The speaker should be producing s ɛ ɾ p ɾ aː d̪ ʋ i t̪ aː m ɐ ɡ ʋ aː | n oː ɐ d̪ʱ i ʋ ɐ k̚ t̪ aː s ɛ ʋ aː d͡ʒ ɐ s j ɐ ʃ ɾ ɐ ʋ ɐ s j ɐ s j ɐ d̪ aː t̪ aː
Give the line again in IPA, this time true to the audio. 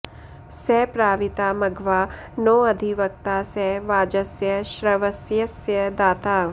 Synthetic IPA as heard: s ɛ p ɾ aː ʋ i t̪ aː m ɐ ɡ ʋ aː | n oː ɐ d̪ʱ i ʋ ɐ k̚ t̪ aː s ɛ ʋ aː d͡ʒ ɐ s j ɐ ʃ ɾ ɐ ʋ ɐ s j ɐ s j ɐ d̪ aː t̪ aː